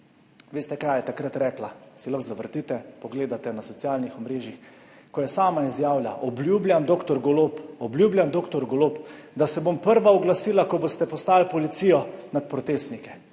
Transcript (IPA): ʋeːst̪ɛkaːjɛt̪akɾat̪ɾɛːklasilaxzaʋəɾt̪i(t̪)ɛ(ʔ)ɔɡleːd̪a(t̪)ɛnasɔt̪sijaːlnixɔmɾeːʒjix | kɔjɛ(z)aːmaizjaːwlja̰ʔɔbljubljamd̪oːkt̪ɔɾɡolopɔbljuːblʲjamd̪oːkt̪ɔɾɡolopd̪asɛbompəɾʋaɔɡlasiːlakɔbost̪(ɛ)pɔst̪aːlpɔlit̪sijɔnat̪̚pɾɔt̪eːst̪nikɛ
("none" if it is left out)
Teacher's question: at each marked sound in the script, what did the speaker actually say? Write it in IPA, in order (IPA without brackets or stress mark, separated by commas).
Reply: t̪, p, t̪, s, ɛ